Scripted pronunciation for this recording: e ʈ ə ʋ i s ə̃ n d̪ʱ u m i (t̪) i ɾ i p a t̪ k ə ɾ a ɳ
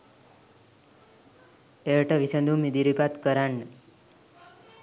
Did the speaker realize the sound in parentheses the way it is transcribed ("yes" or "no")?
no